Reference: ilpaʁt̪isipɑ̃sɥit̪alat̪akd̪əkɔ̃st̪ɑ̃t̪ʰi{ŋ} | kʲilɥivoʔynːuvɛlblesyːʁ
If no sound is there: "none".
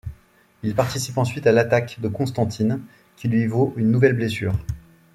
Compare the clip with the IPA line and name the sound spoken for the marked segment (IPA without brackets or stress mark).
n